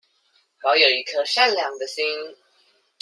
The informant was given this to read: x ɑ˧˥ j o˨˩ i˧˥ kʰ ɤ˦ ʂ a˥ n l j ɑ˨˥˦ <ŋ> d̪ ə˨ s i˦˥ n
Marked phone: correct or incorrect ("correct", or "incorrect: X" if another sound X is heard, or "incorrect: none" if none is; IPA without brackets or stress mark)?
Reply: correct